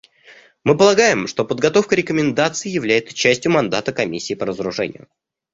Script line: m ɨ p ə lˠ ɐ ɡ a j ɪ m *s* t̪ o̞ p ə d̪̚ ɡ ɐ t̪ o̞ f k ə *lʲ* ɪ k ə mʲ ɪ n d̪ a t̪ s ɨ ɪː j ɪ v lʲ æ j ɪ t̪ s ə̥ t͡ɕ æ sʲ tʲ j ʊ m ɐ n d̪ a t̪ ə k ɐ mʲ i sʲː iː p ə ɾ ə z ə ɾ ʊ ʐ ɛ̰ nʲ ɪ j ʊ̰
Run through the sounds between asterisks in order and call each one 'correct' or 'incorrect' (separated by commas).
incorrect, incorrect